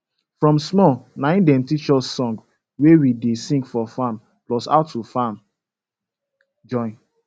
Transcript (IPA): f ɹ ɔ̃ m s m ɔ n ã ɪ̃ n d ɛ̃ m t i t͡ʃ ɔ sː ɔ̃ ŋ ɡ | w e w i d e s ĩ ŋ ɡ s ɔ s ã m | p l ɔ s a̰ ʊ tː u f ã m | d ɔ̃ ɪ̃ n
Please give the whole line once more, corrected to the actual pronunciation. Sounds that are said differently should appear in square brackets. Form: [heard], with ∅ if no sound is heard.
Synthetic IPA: f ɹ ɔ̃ m s m ɔ n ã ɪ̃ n d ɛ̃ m t i t͡ʃ ɔ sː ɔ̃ ŋ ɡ | w e w i d e s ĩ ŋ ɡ [f] ɔ [f] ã m | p l ɔ s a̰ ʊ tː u f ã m | [d͡ʒ] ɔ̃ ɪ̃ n